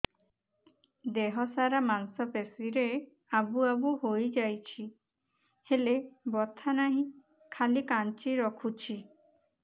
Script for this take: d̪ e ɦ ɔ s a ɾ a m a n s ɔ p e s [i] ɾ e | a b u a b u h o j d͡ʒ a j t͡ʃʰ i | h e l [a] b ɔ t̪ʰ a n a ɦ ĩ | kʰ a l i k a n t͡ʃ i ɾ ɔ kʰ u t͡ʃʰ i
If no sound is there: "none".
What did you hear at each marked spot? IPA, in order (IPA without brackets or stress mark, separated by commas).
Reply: i, e